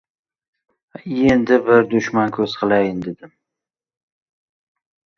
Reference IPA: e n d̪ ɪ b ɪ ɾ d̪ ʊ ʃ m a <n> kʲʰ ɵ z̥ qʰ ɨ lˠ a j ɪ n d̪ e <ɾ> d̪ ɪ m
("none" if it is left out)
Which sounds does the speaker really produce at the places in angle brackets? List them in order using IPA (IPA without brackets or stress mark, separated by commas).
n, none